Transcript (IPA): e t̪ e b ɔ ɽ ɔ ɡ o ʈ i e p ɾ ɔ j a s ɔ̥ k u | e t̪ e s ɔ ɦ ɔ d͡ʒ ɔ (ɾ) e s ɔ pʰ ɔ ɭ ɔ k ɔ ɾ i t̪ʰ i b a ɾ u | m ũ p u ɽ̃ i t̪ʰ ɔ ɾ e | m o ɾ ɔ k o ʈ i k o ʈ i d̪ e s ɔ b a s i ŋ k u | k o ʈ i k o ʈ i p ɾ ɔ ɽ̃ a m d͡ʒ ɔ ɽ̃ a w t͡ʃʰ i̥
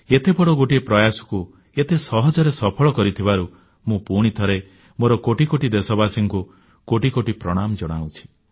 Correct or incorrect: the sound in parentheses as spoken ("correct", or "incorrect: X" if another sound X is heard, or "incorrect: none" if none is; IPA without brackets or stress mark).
correct